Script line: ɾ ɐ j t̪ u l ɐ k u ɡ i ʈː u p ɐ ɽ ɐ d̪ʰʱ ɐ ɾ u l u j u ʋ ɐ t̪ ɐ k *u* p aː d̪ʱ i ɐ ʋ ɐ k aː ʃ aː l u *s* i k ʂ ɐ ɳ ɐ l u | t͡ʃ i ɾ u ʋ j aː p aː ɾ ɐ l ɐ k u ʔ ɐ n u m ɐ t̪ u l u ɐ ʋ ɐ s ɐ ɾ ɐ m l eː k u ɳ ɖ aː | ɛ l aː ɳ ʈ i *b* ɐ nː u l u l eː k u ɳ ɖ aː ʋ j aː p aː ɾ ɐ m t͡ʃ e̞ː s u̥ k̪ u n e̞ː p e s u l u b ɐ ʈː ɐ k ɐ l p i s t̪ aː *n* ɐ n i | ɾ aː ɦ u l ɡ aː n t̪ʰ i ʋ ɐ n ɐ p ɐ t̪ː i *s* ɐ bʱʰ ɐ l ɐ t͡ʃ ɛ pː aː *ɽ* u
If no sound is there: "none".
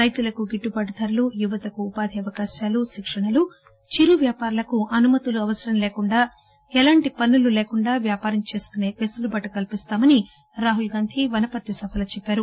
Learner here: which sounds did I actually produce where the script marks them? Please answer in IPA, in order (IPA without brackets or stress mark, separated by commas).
uː, ʃ, p, m, s, ɾ